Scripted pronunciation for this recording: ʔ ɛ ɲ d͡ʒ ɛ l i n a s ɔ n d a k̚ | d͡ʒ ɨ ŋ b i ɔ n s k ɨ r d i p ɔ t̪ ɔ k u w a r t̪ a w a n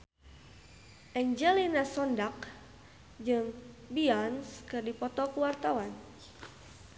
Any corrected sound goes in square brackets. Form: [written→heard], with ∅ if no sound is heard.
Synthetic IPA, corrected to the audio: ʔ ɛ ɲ d͡ʒ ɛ l i n a s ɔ n d a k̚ | d͡ʒ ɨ ŋ b i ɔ n s k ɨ r d i p ɔ t̪ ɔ k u w a r t̪ a w a n